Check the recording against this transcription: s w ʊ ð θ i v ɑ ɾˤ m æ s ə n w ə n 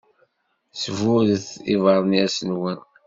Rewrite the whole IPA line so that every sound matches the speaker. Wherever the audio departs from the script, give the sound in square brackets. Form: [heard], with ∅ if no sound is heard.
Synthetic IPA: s [v] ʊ ð θ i v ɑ ɾˤ [n] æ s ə n w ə n